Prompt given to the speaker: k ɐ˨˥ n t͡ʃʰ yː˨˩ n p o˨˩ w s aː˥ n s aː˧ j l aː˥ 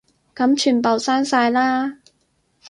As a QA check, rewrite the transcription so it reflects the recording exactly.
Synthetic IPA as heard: k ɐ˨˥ m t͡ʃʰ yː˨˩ n p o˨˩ w s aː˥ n s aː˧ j l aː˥